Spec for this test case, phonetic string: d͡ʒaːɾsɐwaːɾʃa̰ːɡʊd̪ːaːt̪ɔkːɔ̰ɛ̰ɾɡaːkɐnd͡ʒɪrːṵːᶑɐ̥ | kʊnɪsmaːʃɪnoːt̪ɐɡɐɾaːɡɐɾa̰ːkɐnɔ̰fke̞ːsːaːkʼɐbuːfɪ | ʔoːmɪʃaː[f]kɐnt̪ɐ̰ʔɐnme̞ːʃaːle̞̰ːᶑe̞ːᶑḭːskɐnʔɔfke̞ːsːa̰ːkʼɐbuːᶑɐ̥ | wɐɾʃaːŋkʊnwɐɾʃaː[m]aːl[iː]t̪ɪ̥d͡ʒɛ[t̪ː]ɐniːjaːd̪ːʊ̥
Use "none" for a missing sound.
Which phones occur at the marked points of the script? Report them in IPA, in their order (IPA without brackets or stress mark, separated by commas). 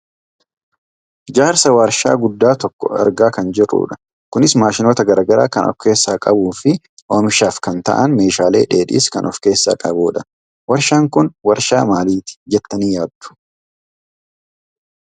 f, m, iː, t̪ː